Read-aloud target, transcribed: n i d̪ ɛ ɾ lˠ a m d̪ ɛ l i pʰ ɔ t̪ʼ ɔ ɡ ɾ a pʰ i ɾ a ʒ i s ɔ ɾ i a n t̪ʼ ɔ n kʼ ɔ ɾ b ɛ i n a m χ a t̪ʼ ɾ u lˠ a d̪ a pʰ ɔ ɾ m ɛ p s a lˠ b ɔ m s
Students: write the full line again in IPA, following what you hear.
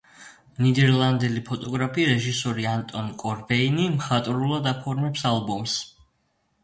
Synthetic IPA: n i d̪ ɛ ɾ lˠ a n d̪ ɛ l i pʰ ɔ t̪ʼ ɔ ɡ ɾ a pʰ i ɾ ɛ ʒ i s ɔ ɾ i a n t̪ʼ ɔ n kʼ ɔ ɾ b ɛ i n i m χ a t̪ʼ ɾ u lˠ a d̪ a pʰ ɔ ɾ m ɛ p s a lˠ b ɔ m s